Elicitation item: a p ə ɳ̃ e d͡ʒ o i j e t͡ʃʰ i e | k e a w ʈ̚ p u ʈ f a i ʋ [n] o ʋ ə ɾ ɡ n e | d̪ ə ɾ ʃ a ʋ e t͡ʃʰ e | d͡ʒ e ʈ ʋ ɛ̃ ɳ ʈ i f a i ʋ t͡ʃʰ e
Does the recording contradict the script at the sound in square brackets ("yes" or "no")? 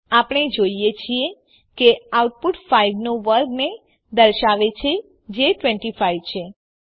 no